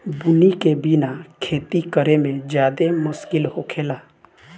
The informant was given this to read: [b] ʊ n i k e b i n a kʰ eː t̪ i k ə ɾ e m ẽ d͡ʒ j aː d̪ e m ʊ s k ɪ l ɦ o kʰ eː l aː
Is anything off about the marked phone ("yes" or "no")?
no